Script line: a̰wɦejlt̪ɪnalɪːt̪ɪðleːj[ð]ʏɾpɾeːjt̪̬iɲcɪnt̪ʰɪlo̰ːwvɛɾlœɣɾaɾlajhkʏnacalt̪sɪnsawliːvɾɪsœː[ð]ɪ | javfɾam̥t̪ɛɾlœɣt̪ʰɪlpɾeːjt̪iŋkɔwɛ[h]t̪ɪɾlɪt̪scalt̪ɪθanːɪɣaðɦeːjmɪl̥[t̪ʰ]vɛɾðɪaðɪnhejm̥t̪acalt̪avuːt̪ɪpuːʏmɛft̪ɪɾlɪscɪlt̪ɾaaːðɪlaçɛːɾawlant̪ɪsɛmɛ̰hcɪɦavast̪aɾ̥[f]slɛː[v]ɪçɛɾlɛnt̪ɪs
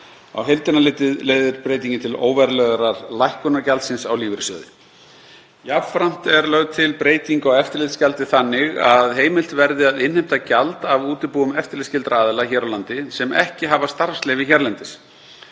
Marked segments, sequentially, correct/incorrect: correct, correct, incorrect, incorrect, correct, correct

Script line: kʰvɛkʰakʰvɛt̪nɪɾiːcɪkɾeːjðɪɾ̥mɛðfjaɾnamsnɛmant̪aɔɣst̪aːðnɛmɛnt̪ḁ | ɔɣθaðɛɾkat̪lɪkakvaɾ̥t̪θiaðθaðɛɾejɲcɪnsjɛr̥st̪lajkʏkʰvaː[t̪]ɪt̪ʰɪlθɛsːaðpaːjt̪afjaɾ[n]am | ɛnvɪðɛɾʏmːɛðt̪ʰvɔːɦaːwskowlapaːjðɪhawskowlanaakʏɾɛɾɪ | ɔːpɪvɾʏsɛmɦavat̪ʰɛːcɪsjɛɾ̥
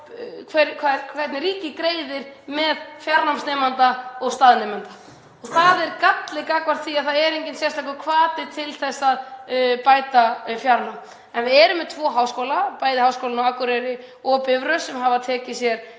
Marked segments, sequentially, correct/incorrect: correct, correct

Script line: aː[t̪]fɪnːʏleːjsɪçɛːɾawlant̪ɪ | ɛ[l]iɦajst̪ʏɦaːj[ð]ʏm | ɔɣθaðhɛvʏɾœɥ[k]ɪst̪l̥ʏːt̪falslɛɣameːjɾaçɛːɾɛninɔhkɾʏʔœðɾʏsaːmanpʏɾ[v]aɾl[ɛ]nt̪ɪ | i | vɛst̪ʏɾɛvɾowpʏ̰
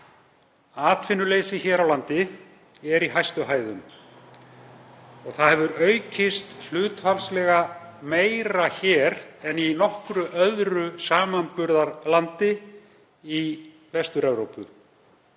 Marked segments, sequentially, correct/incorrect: correct, incorrect, correct, incorrect, incorrect, incorrect

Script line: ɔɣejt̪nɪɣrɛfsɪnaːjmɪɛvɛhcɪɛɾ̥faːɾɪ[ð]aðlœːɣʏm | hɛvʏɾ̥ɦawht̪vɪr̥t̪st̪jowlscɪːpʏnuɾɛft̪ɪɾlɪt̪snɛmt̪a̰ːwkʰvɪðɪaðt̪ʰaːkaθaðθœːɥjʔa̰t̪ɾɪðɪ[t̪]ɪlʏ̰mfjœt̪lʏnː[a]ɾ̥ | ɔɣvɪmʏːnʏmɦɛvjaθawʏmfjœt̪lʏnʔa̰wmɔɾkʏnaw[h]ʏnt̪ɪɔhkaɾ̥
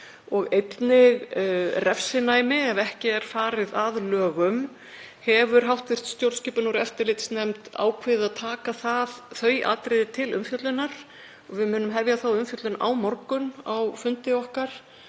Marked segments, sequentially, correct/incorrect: correct, incorrect, correct, incorrect

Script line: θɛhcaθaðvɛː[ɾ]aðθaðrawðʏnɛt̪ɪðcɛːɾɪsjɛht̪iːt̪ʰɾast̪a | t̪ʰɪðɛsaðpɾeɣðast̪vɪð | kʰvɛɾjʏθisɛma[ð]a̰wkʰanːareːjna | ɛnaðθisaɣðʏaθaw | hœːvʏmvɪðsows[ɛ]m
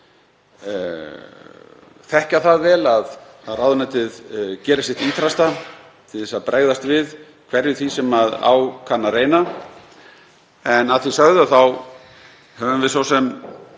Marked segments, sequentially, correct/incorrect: incorrect, correct, correct

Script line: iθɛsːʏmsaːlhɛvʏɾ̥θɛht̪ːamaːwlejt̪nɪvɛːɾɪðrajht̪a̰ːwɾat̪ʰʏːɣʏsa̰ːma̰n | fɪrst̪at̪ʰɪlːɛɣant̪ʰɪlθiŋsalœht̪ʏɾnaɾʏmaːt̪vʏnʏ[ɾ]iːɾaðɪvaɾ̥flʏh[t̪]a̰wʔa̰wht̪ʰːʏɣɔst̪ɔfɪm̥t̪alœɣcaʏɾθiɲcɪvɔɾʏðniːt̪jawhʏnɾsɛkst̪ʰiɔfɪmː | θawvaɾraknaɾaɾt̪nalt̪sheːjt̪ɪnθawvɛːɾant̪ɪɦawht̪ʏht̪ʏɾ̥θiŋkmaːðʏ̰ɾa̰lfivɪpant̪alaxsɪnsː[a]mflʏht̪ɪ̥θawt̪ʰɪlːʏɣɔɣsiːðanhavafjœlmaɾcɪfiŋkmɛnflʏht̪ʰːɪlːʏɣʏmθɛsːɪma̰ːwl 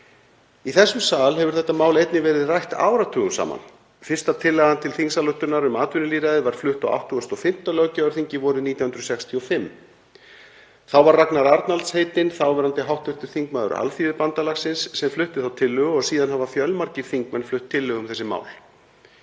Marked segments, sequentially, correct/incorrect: incorrect, correct, incorrect

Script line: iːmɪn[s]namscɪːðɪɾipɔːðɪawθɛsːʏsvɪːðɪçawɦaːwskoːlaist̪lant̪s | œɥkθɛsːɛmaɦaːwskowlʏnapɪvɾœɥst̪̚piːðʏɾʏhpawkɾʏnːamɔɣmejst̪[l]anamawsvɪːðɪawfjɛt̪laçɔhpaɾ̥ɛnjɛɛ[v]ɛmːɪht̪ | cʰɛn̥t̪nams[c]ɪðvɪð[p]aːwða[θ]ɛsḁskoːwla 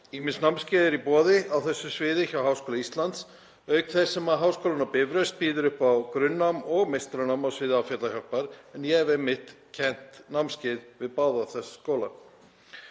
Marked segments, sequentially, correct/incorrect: correct, incorrect, correct, correct, correct, correct

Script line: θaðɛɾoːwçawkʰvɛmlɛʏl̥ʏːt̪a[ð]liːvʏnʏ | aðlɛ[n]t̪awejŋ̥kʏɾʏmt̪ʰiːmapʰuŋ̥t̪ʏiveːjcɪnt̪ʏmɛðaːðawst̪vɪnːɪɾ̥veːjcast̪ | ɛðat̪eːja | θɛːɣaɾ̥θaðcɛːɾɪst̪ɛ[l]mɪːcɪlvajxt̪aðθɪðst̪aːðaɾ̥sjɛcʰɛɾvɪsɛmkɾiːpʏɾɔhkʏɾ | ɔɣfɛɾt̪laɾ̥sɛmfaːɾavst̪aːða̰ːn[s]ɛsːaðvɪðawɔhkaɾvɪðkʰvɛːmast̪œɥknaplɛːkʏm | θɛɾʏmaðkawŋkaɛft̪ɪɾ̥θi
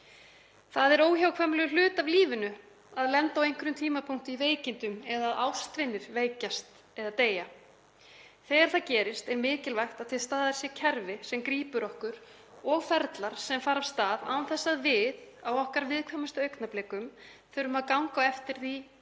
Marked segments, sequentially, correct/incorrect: incorrect, correct, incorrect, incorrect

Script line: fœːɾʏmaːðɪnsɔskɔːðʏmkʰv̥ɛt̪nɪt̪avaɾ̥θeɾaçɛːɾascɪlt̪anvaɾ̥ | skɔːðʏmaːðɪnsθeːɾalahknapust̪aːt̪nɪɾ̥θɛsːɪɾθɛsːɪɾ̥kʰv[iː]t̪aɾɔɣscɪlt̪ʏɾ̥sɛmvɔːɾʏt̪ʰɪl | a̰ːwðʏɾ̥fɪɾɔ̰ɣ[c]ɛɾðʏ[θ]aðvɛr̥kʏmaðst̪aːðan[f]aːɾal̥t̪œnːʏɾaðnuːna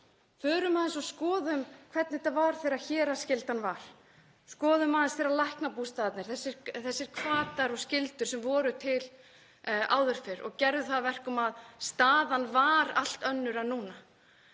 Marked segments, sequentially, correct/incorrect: incorrect, correct, correct, incorrect

